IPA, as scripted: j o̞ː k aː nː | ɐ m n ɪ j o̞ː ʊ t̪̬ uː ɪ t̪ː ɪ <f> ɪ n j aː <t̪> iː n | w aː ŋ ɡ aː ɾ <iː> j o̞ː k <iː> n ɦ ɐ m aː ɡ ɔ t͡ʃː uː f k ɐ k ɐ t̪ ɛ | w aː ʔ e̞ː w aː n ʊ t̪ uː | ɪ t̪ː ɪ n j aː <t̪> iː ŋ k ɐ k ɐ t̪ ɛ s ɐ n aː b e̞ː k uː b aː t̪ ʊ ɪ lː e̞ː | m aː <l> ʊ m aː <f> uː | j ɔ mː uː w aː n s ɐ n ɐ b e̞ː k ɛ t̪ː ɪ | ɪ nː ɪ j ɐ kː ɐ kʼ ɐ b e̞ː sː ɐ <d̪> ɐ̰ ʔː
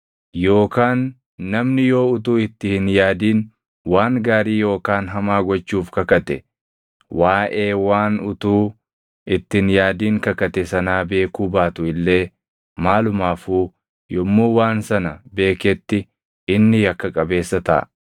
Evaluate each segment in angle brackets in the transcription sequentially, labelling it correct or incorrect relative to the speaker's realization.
incorrect: h, incorrect: d̪, correct, incorrect: aː, incorrect: d̪, correct, correct, incorrect: t̪

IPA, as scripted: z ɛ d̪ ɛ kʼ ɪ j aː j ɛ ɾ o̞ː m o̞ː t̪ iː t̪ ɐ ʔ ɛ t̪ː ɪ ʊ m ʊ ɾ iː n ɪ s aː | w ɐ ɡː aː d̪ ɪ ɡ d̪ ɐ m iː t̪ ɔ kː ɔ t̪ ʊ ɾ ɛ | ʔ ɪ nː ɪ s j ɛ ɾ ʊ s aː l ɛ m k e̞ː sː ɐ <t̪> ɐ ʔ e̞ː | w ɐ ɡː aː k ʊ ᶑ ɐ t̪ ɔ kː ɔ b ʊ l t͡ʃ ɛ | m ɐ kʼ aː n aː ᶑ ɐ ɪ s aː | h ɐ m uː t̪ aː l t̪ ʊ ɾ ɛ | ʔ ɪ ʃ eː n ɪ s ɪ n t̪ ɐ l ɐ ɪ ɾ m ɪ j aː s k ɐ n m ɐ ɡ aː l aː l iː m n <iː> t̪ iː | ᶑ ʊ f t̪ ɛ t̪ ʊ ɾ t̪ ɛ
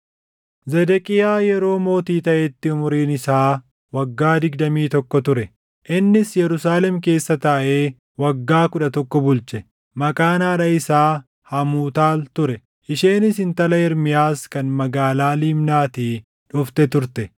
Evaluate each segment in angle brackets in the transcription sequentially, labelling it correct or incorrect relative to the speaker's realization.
correct, incorrect: aː

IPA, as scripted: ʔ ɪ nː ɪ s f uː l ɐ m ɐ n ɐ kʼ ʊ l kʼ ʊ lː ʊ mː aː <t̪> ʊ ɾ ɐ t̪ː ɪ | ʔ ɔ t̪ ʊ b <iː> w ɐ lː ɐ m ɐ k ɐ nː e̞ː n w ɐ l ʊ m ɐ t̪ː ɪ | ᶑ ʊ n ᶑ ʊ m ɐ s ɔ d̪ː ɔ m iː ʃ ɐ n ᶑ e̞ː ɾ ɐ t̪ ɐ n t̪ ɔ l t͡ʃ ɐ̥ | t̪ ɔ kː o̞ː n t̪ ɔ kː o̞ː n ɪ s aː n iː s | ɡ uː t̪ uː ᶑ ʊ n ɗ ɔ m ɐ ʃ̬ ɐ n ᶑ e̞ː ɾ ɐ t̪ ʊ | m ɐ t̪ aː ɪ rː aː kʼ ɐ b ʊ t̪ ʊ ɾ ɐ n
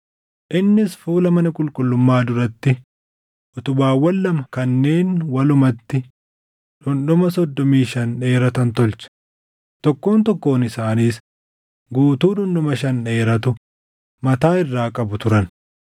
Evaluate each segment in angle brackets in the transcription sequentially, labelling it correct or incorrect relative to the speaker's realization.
incorrect: d̪, incorrect: aː

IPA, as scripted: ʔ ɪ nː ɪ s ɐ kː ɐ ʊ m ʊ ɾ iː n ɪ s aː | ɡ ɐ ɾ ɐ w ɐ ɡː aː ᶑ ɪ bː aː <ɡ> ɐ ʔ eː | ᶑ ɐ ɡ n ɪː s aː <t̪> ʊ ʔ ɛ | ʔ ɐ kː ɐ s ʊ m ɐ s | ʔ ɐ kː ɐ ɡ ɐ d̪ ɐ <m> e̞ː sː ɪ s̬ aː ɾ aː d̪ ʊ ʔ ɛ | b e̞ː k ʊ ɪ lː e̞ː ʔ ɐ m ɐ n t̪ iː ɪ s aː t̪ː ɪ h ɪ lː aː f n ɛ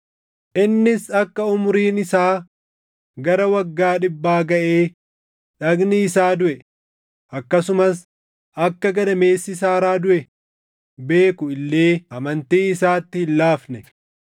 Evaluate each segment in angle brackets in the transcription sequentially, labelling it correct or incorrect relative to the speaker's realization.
correct, incorrect: d̪, correct

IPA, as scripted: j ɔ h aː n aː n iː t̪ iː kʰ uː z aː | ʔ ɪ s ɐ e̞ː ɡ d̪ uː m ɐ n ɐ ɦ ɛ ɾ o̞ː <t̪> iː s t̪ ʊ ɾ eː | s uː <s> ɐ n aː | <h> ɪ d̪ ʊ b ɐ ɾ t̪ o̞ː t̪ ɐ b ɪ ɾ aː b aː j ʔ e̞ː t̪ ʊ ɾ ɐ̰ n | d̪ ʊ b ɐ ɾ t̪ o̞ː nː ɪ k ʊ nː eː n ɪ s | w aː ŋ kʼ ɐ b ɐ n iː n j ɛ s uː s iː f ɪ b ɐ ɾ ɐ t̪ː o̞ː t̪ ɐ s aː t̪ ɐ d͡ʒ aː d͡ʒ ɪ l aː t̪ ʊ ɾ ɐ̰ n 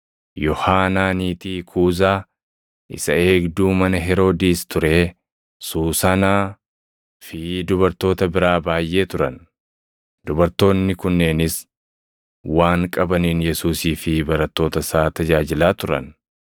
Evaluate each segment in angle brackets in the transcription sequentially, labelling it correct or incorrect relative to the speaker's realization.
incorrect: d̪, correct, incorrect: f

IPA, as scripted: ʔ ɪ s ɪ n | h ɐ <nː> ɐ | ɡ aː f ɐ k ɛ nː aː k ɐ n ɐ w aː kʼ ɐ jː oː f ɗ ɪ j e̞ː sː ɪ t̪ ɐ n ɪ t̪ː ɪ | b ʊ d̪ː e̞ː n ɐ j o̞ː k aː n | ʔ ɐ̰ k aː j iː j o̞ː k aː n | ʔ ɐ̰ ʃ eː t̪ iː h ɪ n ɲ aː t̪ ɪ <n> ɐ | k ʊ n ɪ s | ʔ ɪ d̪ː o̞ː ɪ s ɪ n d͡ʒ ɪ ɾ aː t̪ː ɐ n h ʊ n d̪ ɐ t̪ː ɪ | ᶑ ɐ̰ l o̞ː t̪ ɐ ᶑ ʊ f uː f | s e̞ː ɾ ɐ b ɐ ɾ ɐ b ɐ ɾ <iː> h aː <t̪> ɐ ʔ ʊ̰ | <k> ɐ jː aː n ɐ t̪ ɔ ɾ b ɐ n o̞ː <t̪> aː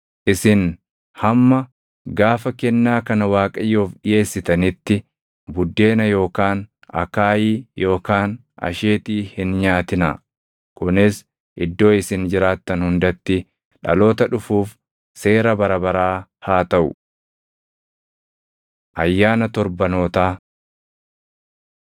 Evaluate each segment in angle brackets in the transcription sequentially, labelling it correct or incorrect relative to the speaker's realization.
incorrect: mː, correct, incorrect: aː, correct, incorrect: ʔ, correct

